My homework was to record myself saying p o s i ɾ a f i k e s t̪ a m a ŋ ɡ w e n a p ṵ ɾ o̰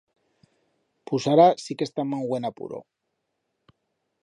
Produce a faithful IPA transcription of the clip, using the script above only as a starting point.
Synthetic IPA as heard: p u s a ɾ a s i k e s t̪ a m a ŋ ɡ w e n a p ṵ ɾ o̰